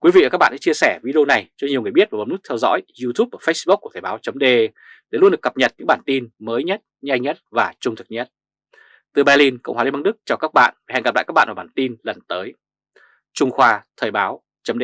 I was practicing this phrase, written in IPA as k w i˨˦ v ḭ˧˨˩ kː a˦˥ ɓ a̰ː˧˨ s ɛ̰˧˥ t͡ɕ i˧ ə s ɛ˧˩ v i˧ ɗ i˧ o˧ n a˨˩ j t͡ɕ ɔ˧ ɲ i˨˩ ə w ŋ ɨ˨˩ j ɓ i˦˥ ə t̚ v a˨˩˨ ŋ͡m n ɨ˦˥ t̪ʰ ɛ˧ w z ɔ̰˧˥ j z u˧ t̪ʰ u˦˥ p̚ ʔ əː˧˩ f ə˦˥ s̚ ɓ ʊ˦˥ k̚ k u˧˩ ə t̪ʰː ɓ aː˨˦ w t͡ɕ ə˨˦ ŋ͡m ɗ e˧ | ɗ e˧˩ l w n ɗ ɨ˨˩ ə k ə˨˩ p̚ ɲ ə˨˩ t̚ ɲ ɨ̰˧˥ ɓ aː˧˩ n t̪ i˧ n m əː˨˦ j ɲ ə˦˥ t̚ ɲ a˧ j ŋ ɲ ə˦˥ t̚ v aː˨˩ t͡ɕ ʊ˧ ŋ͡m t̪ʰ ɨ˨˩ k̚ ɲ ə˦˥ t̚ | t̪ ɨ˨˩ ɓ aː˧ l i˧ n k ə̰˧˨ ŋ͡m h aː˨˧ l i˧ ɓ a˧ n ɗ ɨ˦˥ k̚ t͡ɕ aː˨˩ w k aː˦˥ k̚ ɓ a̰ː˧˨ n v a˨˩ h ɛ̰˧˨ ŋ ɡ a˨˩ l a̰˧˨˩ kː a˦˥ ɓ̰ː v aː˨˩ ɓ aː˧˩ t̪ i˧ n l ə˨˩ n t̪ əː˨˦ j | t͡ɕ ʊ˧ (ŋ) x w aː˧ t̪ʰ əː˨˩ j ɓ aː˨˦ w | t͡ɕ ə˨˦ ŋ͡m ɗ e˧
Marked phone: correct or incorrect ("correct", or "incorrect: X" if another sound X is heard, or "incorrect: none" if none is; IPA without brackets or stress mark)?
incorrect: ŋ͡m